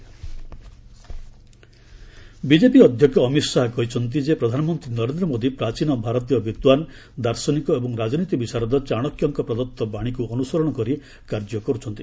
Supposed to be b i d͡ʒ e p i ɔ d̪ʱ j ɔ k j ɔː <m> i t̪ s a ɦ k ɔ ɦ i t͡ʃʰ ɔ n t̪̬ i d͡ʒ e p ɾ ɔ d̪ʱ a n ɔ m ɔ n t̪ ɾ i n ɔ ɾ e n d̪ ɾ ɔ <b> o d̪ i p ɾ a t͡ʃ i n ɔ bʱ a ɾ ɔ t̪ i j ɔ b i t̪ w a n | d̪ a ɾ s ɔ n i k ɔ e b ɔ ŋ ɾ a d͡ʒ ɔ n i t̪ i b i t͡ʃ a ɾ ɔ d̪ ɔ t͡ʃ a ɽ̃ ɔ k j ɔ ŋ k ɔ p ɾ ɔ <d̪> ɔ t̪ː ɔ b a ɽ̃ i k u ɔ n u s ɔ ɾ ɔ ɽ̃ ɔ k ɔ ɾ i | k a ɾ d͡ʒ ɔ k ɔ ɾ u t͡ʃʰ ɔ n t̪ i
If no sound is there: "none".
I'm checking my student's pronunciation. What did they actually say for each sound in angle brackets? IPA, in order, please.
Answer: m, m, d̪

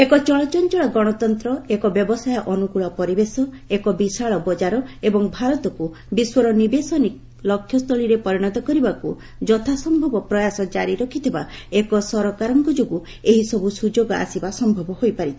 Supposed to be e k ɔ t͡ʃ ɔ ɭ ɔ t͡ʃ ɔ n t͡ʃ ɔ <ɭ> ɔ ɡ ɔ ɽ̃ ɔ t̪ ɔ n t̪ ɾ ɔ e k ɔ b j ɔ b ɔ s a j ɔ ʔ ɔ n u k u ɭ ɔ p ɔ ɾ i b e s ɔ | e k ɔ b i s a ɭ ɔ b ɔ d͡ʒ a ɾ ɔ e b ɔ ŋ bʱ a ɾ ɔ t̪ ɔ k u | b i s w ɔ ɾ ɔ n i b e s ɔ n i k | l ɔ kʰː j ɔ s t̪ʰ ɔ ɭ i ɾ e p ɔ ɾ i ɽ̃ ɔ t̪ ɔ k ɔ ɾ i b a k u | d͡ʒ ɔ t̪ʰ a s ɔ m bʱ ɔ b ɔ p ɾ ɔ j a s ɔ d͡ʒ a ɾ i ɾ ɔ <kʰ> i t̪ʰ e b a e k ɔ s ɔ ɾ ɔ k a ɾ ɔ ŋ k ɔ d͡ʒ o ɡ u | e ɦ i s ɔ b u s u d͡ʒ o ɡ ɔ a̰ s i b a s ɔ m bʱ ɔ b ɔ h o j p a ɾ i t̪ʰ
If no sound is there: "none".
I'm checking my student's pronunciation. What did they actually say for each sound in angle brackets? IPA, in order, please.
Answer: ɭ, kʰ

